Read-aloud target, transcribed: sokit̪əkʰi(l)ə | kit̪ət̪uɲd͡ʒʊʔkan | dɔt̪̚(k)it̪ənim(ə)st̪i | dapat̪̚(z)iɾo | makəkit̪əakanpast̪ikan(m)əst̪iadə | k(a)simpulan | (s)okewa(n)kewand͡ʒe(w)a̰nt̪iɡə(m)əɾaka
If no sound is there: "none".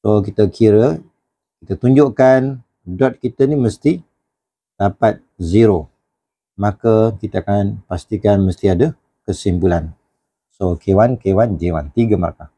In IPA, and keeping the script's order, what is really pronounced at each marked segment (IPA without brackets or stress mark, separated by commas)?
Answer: ɾ, k, ə, z, m, ə, s, n, w, m